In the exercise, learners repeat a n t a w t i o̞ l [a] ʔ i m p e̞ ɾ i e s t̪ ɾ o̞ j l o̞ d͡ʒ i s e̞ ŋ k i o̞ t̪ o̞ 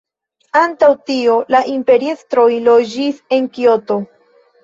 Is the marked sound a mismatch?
no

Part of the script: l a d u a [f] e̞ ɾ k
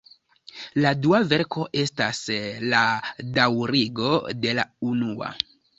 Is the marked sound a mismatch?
yes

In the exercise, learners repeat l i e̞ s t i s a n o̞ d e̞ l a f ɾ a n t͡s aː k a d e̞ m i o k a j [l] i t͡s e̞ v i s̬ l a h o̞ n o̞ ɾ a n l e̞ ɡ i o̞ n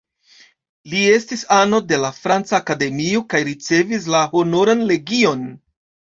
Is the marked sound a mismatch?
yes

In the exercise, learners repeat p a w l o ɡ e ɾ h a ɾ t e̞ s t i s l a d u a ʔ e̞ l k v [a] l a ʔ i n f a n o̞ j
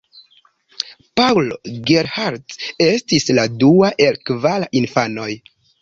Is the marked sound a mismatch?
no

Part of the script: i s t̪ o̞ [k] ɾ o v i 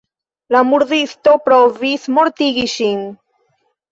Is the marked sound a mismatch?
yes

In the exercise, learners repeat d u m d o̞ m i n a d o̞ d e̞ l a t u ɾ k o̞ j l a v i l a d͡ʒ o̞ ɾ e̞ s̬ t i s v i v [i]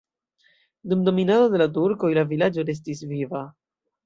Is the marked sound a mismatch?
yes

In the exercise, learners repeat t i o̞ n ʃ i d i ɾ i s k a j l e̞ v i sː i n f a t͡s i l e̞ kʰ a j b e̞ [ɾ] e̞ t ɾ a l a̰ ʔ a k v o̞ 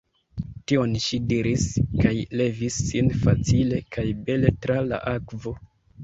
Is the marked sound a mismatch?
yes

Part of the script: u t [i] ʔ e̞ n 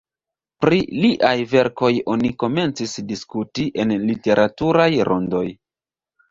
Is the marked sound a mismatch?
no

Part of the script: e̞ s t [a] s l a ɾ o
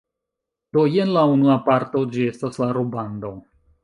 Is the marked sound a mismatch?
no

